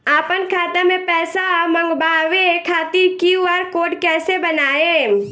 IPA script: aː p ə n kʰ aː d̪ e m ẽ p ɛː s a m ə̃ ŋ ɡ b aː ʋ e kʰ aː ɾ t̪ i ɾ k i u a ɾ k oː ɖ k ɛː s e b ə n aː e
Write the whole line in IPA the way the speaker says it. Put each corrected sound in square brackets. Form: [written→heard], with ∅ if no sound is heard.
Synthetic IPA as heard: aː p ə n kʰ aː [d̪→t̪] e m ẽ p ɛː s a m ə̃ ŋ ɡ b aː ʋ e kʰ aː [ɾ→∅] t̪ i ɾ k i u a ɾ k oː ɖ k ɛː s e b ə n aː e